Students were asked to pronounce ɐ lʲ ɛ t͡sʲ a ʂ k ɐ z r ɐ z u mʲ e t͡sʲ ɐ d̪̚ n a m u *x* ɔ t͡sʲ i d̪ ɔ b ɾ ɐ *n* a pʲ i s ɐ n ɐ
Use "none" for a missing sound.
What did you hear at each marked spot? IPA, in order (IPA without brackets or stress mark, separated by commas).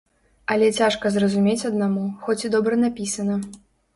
x, n